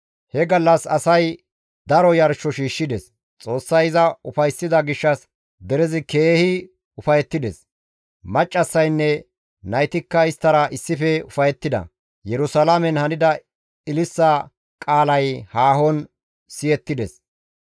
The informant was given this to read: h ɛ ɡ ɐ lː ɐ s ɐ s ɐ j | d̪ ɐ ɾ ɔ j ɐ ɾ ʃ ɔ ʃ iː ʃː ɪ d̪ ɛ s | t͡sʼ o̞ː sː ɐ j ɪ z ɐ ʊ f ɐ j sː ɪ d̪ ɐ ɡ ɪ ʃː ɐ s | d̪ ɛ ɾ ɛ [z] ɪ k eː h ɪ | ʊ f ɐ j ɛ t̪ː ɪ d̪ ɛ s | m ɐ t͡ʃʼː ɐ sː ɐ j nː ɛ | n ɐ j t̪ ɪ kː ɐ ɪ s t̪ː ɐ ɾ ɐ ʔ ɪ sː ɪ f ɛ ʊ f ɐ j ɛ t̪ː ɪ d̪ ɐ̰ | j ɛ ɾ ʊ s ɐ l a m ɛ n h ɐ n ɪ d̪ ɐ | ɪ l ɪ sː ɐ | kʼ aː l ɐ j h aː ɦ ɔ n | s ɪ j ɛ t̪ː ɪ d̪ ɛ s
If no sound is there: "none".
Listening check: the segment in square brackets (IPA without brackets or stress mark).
z